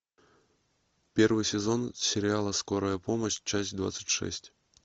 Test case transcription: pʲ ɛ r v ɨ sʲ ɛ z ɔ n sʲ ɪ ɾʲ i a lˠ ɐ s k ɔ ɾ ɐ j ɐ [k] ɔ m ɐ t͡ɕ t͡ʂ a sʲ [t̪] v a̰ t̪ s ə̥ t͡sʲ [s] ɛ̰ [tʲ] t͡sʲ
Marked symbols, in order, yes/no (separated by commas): no, no, no, no